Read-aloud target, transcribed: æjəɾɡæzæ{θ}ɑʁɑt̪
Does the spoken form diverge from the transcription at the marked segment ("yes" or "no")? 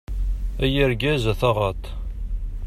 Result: no